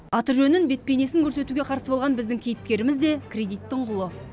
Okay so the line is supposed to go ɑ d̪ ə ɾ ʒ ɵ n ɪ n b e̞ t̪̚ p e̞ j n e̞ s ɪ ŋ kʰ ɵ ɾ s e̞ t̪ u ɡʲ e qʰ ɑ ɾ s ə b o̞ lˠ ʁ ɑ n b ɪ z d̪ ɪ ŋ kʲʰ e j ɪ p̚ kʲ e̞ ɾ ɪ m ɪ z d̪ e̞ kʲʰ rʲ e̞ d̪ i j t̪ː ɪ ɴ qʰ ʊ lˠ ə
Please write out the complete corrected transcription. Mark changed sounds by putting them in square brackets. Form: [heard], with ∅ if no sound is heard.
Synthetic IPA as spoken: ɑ [t̪] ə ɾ ʒ ɵ n ɪ n b e̞ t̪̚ p e̞ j n e̞ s ɪ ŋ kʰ ɵ ɾ s e̞ t̪ u ɡʲ e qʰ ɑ ɾ s ə b o̞ lˠ ʁ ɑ n b ɪ z d̪ ɪ ŋ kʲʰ e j ɪ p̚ kʲ e̞ ɾ ɪ m ɪ z d̪ e̞ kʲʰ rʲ e̞ d̪ i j t̪ː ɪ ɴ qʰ ʊ lˠ ə